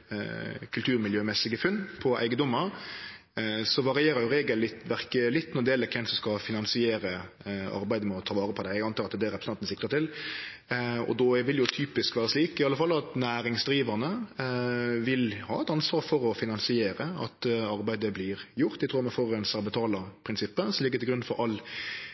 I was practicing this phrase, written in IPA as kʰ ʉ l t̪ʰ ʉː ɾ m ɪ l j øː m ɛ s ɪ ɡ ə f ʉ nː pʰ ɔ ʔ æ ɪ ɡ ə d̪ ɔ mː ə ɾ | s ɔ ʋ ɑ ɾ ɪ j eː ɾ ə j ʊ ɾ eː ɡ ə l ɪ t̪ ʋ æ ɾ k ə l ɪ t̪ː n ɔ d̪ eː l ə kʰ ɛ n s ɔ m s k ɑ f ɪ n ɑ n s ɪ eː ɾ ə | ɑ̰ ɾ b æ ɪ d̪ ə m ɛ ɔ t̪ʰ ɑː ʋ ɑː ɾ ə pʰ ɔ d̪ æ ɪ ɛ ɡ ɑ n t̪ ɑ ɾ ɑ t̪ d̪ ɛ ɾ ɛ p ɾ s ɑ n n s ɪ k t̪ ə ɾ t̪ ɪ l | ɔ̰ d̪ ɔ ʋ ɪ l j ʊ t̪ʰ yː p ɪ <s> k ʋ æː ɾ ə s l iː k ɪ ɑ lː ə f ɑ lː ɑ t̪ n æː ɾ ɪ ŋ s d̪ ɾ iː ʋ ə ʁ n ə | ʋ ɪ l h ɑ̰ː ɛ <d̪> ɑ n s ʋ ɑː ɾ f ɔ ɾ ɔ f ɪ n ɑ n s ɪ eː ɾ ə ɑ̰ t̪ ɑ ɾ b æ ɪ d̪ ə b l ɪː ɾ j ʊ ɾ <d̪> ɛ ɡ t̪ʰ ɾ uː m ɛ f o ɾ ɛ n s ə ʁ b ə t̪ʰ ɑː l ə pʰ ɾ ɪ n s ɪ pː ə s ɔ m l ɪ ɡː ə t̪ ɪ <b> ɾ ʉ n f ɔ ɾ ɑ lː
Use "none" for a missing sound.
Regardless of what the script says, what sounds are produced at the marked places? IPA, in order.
s, t̪, t̪, ɡ

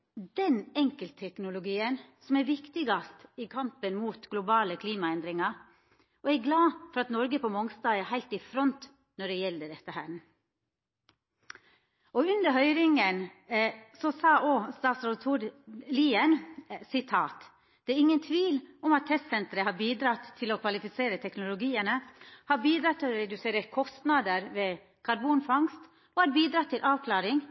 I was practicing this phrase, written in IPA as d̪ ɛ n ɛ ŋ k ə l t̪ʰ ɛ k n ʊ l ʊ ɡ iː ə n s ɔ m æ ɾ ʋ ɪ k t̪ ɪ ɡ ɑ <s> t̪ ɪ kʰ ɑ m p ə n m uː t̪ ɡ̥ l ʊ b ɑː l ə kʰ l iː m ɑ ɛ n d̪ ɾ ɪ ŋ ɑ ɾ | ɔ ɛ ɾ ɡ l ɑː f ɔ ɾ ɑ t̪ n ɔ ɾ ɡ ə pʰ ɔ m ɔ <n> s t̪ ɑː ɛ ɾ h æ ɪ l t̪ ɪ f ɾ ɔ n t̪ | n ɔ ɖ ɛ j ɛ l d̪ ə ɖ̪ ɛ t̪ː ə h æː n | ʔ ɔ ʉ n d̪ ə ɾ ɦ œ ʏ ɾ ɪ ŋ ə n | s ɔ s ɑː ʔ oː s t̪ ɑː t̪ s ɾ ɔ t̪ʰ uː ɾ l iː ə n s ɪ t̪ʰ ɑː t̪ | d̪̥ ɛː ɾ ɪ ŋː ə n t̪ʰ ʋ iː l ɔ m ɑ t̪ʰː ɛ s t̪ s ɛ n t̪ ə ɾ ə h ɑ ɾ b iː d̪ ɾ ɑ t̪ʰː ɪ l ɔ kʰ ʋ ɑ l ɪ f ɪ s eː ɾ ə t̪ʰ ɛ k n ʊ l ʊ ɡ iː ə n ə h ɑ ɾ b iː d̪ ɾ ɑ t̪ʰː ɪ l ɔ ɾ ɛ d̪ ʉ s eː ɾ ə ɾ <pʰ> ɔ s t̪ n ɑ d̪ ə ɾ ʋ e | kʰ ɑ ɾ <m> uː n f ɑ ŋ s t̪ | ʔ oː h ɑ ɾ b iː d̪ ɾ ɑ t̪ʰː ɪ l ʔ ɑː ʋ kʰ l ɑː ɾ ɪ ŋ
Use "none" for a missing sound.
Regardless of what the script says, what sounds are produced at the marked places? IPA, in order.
s, ŋ, kʰ, b

